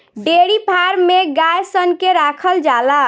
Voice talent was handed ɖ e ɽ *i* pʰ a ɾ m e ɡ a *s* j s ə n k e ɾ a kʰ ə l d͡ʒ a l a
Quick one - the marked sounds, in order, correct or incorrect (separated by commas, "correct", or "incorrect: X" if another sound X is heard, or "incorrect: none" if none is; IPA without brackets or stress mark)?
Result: correct, incorrect: none